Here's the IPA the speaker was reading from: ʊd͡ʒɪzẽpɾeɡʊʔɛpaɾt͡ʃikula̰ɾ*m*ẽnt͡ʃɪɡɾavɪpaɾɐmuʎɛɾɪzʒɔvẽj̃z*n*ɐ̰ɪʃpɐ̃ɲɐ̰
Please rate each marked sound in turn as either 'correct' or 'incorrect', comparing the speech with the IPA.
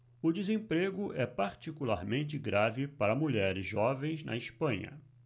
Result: correct, correct

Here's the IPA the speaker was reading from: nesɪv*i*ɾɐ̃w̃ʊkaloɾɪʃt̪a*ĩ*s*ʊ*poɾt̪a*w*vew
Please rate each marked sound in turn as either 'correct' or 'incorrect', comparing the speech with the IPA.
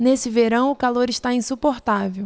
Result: incorrect, correct, incorrect, incorrect

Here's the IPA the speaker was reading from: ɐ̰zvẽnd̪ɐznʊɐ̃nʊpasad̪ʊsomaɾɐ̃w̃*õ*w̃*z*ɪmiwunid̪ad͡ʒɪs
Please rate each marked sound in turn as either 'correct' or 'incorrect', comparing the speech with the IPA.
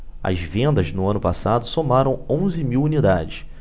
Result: correct, correct

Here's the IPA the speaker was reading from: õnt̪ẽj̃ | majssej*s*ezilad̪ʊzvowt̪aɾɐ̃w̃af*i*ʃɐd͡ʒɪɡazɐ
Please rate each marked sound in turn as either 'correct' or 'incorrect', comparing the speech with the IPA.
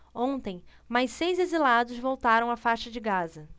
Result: incorrect, incorrect

